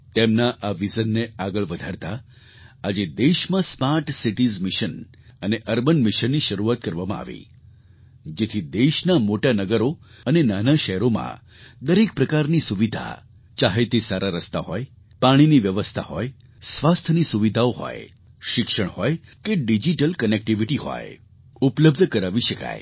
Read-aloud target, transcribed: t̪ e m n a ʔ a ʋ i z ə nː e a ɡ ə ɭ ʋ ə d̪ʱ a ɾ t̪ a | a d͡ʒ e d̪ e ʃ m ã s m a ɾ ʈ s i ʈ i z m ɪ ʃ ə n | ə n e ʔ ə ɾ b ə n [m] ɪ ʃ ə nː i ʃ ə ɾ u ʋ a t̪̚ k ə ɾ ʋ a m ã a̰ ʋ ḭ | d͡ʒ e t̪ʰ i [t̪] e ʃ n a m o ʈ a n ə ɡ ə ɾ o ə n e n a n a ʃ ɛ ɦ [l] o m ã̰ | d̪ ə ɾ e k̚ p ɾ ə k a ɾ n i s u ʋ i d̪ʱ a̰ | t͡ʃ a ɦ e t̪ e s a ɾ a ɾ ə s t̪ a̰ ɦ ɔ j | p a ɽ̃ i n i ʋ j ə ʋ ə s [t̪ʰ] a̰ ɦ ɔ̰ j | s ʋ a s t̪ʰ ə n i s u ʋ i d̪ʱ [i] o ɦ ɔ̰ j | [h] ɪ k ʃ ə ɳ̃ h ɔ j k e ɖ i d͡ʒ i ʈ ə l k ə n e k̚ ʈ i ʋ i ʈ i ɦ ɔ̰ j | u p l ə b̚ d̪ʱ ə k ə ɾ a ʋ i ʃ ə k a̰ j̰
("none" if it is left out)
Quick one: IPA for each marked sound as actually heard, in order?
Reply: m, d̪, ɾ, t̪ʰ, a, ʃ

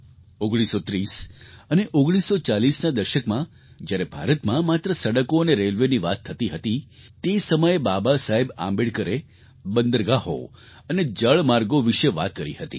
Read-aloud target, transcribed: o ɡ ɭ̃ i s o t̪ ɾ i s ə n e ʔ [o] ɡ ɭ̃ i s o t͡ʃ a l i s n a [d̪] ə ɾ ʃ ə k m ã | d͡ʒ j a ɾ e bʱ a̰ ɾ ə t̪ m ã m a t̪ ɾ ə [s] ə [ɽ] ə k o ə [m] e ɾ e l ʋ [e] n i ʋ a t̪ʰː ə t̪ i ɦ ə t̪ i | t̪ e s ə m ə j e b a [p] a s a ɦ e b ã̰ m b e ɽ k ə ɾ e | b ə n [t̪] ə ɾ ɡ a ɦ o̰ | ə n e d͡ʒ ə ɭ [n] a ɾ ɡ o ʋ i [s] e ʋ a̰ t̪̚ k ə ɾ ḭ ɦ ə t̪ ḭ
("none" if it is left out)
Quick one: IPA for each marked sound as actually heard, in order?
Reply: o, d̪, s, ɽ, n, e, b, d̪, m, ʃ

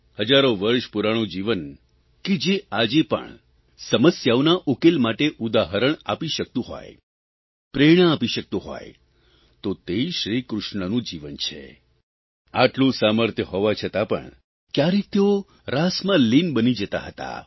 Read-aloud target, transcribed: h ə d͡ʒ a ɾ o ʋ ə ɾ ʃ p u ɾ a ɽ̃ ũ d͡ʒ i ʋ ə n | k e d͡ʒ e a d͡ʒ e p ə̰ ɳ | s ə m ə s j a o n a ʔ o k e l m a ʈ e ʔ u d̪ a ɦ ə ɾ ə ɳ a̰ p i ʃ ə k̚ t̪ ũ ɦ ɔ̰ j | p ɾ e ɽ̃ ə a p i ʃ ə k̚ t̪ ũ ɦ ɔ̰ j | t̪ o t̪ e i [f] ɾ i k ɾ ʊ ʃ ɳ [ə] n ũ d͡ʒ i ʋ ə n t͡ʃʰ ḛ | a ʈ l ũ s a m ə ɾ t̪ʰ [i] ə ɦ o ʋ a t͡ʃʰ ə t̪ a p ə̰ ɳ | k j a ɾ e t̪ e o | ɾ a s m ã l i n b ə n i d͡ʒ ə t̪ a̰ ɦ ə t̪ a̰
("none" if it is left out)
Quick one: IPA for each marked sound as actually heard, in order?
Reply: ʃ, ə, j

